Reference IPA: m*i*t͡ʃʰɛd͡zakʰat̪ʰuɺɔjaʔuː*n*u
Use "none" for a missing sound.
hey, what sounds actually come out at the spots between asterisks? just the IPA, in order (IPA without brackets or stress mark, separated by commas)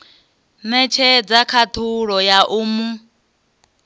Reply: ɛ, m